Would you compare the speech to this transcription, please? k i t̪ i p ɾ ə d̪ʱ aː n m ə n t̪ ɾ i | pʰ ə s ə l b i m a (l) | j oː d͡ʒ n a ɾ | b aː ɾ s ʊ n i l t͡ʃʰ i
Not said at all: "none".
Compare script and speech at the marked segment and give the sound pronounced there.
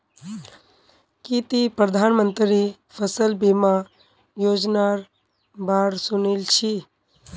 none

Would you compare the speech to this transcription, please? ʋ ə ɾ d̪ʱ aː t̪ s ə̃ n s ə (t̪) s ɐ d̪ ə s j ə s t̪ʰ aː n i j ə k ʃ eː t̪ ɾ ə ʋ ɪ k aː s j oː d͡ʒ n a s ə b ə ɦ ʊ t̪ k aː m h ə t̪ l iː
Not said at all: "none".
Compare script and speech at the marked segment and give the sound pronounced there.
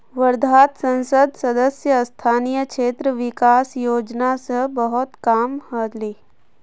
d̪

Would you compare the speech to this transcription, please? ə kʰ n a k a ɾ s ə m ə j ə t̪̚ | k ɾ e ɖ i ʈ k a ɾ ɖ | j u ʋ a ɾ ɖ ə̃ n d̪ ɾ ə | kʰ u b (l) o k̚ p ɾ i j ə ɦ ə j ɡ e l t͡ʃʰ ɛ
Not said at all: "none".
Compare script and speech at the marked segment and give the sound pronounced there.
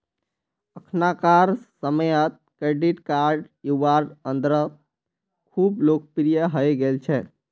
l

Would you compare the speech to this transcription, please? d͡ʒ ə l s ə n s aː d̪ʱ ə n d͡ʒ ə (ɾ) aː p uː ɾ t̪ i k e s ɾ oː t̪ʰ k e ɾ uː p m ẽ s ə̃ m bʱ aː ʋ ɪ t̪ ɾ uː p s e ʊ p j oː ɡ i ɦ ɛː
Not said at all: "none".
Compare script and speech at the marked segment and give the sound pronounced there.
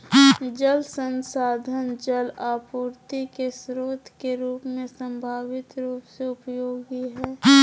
l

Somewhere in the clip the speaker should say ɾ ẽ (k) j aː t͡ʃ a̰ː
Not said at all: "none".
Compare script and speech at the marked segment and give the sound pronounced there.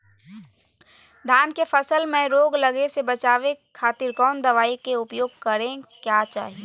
k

